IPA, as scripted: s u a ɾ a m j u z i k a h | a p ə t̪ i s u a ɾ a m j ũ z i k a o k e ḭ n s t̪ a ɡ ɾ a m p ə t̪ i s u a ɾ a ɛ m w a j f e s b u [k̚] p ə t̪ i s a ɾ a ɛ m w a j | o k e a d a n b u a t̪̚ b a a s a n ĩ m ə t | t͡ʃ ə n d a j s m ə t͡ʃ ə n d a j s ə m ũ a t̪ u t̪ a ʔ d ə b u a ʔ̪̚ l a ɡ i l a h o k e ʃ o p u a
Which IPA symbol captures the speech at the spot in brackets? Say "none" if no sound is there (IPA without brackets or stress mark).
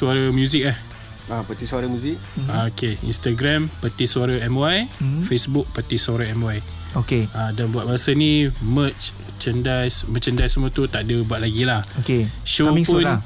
k̚